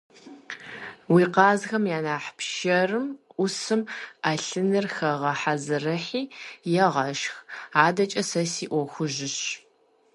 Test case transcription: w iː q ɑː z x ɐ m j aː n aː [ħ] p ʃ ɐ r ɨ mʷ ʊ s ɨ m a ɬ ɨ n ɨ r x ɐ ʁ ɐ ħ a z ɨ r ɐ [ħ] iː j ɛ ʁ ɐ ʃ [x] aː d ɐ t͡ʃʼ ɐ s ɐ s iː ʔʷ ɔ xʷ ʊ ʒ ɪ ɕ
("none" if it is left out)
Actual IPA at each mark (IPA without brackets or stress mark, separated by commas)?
ħ, ħ, x